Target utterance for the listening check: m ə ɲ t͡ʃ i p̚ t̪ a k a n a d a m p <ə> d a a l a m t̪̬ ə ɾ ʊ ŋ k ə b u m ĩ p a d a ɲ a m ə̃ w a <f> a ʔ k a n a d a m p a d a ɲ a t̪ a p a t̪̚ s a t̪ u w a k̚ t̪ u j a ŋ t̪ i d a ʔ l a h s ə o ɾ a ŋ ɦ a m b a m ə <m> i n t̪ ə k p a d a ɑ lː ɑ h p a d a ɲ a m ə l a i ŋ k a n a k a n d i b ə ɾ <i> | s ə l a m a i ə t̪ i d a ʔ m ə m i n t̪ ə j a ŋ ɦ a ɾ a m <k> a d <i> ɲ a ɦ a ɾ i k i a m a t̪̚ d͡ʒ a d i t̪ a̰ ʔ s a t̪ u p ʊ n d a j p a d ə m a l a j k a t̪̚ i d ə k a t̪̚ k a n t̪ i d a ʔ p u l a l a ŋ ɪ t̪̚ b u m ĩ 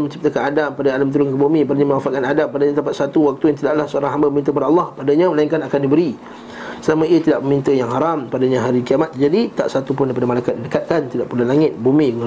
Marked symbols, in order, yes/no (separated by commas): no, yes, yes, yes, no, no